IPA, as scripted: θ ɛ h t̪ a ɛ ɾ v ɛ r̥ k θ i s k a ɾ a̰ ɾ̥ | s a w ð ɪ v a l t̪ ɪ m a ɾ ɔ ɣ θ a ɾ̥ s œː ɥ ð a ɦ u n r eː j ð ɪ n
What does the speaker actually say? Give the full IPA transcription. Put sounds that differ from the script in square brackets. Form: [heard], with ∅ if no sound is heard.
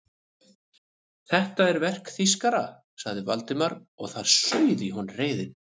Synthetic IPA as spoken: θ ɛ h t̪ a ɛ ɾ v ɛ r̥ k θ i s k a ɾ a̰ [∅] | s a [ɣ] ð ɪ v a l t̪ ɪ m a ɾ ɔ ɣ θ a ɾ̥ s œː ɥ ð [i] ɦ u n r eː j ð ɪ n